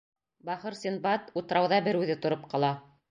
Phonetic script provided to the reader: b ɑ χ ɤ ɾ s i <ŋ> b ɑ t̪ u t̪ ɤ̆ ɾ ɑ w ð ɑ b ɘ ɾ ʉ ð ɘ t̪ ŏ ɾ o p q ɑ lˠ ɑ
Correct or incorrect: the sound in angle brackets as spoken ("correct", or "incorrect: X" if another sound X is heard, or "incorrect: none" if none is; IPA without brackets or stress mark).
incorrect: n